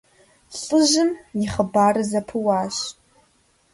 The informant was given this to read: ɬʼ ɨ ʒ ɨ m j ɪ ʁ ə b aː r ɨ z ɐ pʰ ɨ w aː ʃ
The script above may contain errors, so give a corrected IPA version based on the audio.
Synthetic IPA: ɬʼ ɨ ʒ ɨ m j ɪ χ ə b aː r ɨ z ɐ pʰ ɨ w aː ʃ